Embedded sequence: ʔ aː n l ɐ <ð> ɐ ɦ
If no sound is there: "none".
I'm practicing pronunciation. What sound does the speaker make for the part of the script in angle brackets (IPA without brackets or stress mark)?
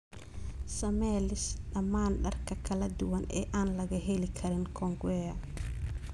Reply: ɣ